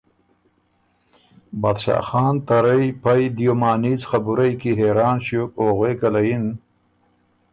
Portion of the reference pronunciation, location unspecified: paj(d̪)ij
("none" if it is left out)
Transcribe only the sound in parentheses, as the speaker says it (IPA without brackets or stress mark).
d̪